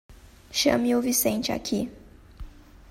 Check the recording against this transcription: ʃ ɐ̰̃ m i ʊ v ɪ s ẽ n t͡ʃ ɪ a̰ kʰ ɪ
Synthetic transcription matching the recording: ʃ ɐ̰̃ m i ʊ v i s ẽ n t͡ʃ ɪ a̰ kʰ i